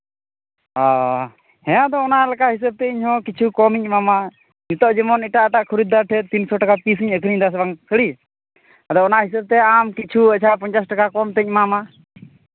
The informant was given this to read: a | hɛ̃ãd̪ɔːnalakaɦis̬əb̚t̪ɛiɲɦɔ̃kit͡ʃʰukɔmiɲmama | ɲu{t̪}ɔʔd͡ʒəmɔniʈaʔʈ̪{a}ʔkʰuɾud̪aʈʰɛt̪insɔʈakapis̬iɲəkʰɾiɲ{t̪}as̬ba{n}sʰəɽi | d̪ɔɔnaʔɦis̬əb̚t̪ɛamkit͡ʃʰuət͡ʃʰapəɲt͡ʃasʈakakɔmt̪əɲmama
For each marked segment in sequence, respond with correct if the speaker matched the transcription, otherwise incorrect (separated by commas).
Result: correct, correct, incorrect, incorrect